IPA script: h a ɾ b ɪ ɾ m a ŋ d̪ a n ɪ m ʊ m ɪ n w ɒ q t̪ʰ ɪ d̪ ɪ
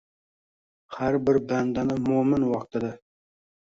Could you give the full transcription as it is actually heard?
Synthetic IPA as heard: h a ɾ b ɪ ɾ b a n d̪ a n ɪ m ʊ m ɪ n w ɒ q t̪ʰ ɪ d̪ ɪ